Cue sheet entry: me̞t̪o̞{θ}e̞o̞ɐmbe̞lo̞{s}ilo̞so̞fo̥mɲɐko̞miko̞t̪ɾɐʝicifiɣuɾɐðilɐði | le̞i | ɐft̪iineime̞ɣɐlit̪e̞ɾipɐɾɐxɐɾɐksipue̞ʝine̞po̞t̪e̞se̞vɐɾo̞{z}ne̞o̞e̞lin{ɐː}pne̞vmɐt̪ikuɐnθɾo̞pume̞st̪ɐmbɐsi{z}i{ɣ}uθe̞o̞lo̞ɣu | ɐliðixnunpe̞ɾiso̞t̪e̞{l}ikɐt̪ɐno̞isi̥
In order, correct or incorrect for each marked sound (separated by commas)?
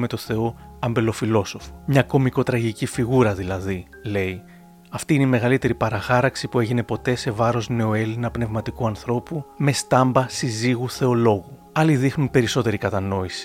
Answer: correct, incorrect, correct, incorrect, correct, correct, incorrect